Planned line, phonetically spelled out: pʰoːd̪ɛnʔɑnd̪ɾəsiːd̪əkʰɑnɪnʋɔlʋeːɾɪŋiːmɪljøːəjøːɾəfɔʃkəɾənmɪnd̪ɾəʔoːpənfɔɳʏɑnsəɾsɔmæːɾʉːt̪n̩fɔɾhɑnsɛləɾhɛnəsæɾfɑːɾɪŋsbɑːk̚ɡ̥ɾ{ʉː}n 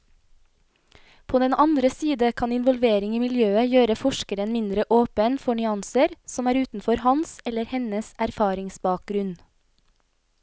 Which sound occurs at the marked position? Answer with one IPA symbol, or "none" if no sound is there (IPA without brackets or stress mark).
ʉ